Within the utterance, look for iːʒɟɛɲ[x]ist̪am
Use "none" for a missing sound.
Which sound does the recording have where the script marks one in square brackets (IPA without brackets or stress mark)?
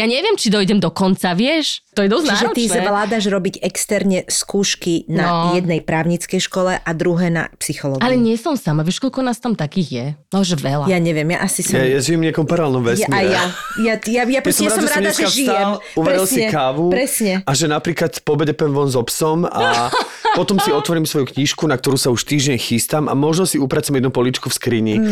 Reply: x